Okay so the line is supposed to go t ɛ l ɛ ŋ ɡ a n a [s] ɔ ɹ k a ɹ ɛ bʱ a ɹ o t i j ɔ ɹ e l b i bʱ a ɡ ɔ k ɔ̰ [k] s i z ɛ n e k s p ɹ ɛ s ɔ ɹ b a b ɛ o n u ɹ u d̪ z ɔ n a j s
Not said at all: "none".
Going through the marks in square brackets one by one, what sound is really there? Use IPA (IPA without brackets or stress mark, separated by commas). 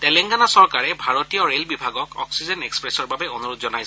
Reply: s, k